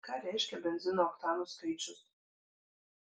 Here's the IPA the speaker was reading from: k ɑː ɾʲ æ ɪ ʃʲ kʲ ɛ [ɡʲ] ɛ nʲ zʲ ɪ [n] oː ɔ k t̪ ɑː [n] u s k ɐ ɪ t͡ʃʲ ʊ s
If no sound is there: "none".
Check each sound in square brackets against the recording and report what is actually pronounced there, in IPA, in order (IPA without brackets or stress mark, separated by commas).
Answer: bʲ, n, n